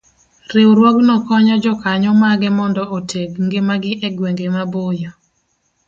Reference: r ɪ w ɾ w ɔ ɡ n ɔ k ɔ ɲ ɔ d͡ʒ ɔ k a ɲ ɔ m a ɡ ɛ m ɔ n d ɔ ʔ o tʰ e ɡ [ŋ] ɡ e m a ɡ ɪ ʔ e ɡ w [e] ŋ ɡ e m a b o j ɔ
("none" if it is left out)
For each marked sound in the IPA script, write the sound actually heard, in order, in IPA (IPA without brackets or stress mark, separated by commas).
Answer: ŋ, e